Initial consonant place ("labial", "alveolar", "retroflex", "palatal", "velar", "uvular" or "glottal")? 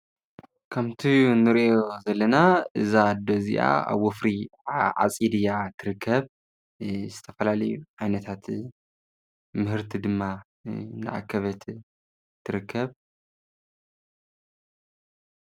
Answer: velar